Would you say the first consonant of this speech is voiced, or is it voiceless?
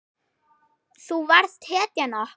voiceless